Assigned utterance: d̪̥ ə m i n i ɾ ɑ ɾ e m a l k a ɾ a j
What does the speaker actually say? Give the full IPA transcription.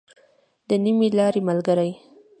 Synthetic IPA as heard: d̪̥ ə n i m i l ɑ ɾ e m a l ɡ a ɾ a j